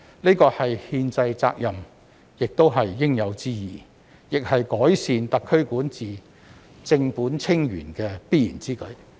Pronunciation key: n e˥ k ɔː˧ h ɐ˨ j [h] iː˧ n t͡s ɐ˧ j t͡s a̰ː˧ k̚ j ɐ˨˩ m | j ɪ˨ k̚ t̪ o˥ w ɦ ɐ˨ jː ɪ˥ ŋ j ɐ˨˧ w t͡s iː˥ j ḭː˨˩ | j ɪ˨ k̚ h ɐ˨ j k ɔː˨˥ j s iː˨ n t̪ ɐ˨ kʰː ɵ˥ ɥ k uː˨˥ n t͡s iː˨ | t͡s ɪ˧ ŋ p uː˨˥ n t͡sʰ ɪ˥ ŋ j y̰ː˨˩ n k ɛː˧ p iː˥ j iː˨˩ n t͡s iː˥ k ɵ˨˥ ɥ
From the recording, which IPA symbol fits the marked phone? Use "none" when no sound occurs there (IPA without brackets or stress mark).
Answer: h